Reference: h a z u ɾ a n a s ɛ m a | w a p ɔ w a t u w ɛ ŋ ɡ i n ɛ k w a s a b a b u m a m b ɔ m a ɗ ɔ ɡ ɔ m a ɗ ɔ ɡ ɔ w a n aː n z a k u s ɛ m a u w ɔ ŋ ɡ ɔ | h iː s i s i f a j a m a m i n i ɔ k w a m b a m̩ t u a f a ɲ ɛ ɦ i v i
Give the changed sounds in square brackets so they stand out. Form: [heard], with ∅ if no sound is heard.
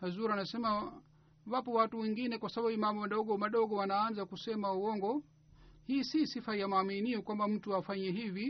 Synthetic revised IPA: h a z u ɾ a n a s ɛ m a | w a p ɔ w a t u w ɛ ŋ ɡ i n ɛ k w a s a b a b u m a m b ɔ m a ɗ ɔ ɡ ɔ m a ɗ ɔ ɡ ɔ w a n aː n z a k u s ɛ m a u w ɔ ŋ ɡ ɔ | h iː s i s i f a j a m a m i n i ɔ k w a m b a m̩ t u a f a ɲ ɛ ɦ i v i